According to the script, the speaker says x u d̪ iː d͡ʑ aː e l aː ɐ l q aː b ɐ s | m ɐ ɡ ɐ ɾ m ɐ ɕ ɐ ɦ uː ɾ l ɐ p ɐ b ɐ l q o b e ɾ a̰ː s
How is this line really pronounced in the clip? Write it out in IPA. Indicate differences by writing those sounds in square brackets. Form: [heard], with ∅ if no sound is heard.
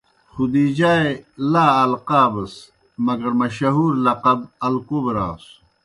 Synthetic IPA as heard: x u d̪ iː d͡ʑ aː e l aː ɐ l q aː b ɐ s | m ɐ ɡ ɐ ɾ m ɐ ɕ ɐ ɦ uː ɾ l ɐ [q] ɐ b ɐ l [k] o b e ɾ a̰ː s